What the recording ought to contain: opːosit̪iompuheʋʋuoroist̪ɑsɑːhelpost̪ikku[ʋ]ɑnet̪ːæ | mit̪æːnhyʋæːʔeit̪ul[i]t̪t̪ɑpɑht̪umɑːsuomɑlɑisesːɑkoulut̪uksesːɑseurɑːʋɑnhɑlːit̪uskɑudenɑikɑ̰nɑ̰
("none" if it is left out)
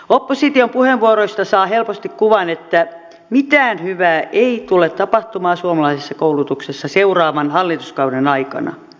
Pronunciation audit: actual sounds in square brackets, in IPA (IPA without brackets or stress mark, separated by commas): ʋ, e